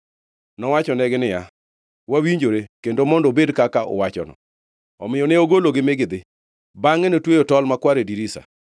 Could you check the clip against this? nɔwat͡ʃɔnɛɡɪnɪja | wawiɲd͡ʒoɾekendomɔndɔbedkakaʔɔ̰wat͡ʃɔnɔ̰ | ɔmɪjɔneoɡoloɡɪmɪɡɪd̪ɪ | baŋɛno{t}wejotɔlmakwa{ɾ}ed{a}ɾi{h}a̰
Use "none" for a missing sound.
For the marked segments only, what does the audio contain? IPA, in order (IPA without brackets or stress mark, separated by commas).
t, ɾ, i, s